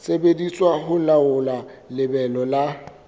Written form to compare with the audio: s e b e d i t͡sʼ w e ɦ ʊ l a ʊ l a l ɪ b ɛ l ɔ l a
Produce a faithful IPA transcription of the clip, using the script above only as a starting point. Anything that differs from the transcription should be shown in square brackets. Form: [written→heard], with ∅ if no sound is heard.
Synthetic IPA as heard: s e b e d i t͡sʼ w [e→a] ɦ ʊ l a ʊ l a l ɪ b ɛ l ɔ l a